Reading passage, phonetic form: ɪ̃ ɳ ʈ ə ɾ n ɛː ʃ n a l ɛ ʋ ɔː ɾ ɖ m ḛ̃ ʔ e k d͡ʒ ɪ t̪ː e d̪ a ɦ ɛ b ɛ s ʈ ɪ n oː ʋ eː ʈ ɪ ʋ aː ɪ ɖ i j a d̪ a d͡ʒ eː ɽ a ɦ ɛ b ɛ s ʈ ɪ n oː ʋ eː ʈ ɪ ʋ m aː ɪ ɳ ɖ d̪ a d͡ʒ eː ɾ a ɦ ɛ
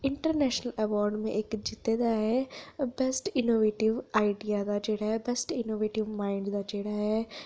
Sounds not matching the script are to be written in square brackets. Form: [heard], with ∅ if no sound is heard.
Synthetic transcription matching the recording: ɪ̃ ɳ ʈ ə ɾ n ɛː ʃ n [ə] l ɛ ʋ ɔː ɾ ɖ m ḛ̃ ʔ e k d͡ʒ ɪ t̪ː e d̪ a ɦ ɛ b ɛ s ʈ ɪ n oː ʋ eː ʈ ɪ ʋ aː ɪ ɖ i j a d̪ a d͡ʒ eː ɽ a ɦ ɛ b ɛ s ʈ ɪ n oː ʋ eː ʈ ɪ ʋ m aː ɪ ɳ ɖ d̪ a d͡ʒ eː [ɽ] a ɦ ɛ